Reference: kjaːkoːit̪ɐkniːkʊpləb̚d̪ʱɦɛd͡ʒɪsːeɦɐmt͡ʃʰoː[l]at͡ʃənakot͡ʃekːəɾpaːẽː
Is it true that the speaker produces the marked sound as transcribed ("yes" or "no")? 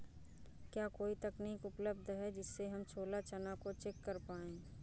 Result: yes